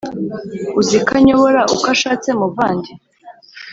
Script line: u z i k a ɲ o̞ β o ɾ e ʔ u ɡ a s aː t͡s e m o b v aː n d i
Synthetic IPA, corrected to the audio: u z i k a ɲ o̞ β o ɾ a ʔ u k a ʃ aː t͡s e m u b v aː n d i